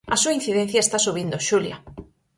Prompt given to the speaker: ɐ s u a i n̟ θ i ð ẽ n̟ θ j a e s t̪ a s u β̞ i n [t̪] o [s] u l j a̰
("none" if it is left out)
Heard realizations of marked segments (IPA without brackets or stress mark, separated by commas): d̪, ʃ